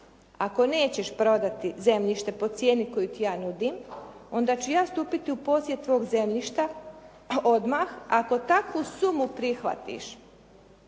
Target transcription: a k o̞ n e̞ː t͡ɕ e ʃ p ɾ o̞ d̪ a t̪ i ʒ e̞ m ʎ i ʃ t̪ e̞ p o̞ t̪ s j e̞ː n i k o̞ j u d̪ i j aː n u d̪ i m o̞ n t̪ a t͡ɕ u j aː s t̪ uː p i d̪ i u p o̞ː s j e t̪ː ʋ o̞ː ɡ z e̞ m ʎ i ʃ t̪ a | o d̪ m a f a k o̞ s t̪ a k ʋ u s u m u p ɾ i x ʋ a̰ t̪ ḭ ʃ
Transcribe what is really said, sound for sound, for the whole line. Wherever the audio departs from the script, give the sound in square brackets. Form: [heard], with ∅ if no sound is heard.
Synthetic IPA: a k o̞ n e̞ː t͡ɕ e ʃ p ɾ o̞ d̪ a t̪ i [z] e̞ m ʎ i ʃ t̪ e̞ p o̞ t̪ s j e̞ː n i k o̞ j u [t̪] i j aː n u d̪ i m o̞ n [d̪] a t͡ɕ u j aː s t̪ uː p i [t̪] i u p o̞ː s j e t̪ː ʋ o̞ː ɡ z e̞ m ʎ i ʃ t̪ a | o d̪ m a [x] a k o̞ [∅] t̪ a k ʋ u s u m u p ɾ i x ʋ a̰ t̪ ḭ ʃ